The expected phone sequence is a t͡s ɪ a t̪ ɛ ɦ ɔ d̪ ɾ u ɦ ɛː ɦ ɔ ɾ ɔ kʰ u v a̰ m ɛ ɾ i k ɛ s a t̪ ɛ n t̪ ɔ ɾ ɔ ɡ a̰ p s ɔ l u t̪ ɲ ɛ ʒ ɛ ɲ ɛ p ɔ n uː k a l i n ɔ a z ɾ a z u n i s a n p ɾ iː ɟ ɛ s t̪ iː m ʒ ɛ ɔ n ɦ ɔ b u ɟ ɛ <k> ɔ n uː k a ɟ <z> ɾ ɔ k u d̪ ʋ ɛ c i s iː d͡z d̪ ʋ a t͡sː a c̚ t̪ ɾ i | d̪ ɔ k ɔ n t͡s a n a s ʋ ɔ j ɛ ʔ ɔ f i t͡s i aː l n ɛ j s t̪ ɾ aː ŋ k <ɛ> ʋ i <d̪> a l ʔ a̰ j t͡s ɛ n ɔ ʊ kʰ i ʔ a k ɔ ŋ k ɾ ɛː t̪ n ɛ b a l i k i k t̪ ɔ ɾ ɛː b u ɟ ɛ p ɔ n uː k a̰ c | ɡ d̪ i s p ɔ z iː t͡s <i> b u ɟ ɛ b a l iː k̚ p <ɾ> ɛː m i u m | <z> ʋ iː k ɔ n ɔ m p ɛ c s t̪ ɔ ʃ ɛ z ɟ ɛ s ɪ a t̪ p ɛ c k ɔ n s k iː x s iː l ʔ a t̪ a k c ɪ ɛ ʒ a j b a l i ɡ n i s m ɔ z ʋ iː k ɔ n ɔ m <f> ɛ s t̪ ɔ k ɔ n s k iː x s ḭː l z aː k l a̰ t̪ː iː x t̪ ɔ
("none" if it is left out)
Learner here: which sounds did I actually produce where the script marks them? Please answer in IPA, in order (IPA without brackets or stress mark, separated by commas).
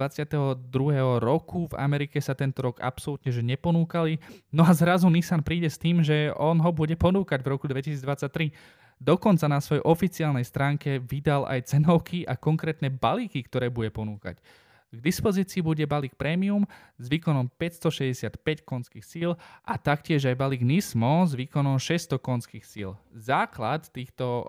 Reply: p, v, ɛ, d̪, iː, ɾ, z, ʃ